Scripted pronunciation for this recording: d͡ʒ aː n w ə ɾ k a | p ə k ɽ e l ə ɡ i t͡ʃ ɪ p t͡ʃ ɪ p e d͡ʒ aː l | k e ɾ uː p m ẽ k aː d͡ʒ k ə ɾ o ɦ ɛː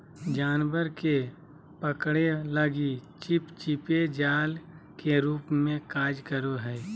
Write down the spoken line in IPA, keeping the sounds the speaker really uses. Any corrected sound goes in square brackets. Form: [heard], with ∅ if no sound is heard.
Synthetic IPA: d͡ʒ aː n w ə ɾ k [e] | p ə k ɽ e l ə ɡ i t͡ʃ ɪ p t͡ʃ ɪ p e d͡ʒ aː l | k e ɾ uː p m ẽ k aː d͡ʒ k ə ɾ o ɦ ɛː